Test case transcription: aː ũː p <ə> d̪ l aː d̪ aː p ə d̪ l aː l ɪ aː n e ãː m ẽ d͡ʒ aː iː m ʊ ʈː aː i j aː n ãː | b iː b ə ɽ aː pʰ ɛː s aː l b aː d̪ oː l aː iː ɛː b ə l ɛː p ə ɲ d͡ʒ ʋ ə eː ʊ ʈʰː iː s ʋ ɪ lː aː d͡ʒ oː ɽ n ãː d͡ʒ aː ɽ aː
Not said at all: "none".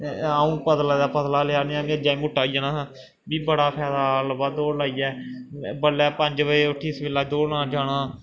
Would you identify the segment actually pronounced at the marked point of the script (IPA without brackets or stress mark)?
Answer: ə